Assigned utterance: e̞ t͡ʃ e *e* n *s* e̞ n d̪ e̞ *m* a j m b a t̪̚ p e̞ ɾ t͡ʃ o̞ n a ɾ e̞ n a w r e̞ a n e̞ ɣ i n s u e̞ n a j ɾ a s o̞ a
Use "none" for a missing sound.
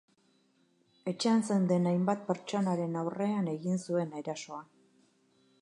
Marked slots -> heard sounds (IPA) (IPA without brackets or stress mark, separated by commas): a, s, n